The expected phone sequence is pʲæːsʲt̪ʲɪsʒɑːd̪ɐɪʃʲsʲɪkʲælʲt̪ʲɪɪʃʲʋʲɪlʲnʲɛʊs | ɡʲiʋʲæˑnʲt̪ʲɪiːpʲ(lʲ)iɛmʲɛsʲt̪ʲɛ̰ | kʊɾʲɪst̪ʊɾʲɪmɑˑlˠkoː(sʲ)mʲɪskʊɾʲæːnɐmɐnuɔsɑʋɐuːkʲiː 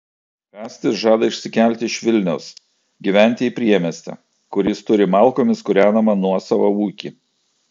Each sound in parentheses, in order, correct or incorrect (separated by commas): incorrect, incorrect